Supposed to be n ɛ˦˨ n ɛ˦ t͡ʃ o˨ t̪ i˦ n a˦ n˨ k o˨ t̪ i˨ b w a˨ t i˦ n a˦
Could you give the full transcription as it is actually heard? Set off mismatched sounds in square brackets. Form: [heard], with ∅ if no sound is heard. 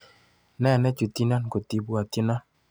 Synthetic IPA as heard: n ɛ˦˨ n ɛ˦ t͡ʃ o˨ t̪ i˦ n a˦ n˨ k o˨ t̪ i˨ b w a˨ t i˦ n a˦